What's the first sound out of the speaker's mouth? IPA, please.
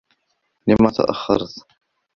l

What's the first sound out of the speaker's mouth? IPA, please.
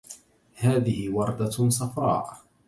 h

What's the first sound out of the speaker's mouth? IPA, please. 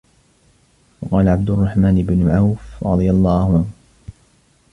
w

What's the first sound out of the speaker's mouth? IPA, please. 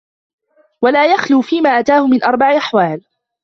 w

